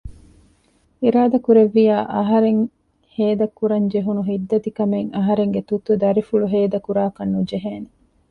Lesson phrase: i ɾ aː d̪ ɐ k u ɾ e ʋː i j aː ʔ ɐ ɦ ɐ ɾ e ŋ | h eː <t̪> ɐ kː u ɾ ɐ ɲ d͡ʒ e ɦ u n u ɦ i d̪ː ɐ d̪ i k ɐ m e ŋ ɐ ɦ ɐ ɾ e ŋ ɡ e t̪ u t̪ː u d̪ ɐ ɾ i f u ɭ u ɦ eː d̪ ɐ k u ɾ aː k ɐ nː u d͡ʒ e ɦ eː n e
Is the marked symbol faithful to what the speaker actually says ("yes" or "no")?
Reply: no